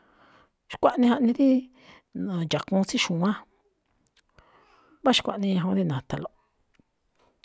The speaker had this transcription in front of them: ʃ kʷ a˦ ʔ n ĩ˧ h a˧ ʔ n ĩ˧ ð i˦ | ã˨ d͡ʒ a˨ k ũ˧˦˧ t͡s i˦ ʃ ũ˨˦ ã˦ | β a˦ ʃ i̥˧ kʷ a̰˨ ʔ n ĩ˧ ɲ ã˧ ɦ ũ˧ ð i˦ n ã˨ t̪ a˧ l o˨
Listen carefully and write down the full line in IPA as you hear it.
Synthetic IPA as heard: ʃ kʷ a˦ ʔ n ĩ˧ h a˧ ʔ n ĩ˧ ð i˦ | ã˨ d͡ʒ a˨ k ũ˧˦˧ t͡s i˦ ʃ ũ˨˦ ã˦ | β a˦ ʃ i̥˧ kʷ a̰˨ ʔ n ĩ˧ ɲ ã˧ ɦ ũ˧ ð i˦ n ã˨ t̪ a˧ l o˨